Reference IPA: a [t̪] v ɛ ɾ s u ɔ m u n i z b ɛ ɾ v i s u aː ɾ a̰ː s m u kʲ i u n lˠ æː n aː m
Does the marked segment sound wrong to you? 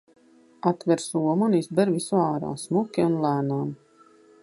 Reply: no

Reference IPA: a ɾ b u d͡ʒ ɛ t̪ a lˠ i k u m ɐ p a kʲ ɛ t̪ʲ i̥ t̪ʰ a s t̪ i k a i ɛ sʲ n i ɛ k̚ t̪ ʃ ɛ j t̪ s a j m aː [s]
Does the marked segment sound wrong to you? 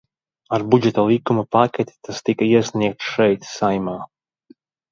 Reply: yes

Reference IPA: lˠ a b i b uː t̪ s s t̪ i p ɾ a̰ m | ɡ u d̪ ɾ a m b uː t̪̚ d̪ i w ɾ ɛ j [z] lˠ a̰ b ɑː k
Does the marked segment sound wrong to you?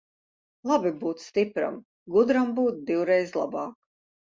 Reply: no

